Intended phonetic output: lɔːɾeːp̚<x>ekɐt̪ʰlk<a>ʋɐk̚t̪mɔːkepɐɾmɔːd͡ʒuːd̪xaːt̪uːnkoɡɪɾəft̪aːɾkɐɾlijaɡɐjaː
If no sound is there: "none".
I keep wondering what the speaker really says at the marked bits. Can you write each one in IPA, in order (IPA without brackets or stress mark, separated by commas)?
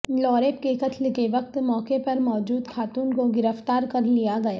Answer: k, e